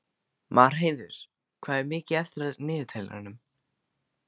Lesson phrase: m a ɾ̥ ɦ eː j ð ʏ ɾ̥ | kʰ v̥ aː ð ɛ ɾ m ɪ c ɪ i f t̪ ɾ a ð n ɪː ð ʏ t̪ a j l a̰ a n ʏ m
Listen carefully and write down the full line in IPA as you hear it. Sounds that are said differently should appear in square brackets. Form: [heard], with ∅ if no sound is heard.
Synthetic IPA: m a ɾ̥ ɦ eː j ð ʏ ɾ̥ | kʰ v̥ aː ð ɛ ɾ m [ɪː] c ɪ [ɛ] f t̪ ɾ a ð n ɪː ð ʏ [t̪ʰ] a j l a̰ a n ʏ m